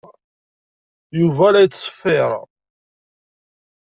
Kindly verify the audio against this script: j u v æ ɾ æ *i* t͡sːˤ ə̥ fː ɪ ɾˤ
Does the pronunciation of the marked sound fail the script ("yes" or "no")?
yes